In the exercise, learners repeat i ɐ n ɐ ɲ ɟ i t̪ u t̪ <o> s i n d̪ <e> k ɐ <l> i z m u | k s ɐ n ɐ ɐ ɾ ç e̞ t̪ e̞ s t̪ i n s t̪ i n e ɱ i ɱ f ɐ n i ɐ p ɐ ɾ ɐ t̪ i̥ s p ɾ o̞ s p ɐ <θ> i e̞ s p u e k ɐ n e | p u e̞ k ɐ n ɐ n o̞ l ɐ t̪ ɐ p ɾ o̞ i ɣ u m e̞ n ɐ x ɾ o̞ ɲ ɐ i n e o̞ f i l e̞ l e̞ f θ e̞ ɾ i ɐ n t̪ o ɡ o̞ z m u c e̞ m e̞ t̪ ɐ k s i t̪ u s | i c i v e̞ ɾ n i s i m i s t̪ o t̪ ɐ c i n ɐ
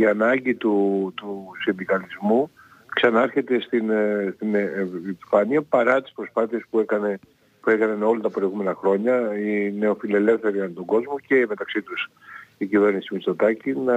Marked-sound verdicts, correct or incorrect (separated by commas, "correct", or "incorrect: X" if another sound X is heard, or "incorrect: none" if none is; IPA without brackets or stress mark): incorrect: u, incorrect: i, correct, correct